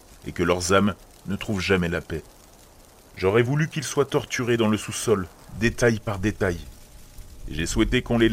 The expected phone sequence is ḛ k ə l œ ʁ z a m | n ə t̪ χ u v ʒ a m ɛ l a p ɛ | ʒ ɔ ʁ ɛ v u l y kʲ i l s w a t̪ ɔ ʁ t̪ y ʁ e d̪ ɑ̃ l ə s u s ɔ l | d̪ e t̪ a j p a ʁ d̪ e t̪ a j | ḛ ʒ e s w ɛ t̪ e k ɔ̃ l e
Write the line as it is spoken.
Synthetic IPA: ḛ k ə l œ ʁ z a m | n ə t̪ χ u v ʒ a m ɛ l a p ɛ | ʒ ɔ ʁ ɛ v u l y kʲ i l s w a t̪ ɔ ʁ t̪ y ʁ e d̪ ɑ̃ l ə s u s ɔ l | d̪ e t̪ a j p a ʁ d̪ e t̪ a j | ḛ ʒ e s w ɛ t̪ e k ɔ̃ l e